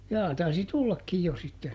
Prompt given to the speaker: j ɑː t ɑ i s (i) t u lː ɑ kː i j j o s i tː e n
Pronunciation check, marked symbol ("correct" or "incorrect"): correct